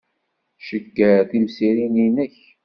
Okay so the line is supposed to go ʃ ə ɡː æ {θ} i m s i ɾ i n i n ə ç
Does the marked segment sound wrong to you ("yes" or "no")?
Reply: no